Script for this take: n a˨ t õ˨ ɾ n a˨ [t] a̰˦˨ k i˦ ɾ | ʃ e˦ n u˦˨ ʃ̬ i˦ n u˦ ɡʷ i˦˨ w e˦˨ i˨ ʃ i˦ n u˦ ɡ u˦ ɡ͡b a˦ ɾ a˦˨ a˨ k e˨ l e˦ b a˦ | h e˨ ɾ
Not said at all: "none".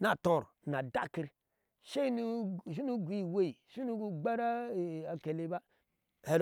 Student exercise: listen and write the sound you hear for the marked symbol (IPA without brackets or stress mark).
d